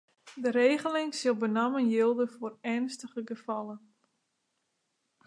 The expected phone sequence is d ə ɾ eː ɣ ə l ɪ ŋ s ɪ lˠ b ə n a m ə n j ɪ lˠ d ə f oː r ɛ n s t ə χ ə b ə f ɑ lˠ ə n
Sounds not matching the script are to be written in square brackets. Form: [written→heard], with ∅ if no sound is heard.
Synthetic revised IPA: d ə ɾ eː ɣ ə l ɪ ŋ s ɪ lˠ b ə n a m ə n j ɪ lˠ d ə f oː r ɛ n s t ə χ ə [b→ɡ] ə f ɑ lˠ ə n